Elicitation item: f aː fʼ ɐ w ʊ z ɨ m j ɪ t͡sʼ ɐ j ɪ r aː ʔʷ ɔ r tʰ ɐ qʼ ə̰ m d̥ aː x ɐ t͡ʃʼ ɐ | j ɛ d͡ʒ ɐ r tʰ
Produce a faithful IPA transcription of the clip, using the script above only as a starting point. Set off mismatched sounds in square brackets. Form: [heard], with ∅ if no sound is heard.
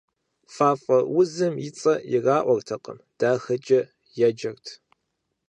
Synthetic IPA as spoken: f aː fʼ ɐ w ʊ z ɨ m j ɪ t͡sʼ ɐ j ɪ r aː ʔʷ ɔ r tʰ ɐ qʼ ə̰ m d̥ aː x ɐ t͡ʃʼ ɐ | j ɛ d͡ʒ ɐ r tʰ